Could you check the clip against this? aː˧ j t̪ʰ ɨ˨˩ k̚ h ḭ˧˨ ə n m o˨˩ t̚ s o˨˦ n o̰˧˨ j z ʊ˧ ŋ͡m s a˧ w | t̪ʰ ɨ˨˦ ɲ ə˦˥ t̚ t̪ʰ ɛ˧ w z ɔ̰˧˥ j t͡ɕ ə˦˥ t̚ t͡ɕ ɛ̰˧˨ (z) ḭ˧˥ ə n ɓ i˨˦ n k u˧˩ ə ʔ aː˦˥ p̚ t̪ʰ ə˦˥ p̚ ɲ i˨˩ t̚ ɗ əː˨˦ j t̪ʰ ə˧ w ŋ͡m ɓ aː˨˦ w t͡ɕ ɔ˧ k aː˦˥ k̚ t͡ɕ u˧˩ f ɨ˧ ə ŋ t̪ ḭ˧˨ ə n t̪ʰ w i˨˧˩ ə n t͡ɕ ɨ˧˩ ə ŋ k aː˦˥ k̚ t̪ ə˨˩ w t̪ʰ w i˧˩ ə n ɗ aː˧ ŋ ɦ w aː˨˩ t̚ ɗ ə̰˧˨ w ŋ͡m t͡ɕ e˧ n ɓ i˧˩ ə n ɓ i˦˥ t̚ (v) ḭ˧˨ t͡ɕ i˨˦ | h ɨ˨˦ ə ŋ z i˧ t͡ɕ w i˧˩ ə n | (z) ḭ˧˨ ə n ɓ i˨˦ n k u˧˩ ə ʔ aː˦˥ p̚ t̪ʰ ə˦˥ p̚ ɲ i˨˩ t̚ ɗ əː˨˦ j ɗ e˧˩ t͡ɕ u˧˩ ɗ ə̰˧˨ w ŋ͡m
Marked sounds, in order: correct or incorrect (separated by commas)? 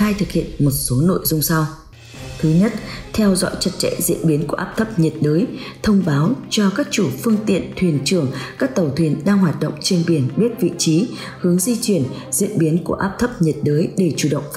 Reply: correct, correct, correct